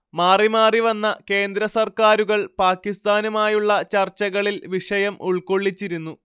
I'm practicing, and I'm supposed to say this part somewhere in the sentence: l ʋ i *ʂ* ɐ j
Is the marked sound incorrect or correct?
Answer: correct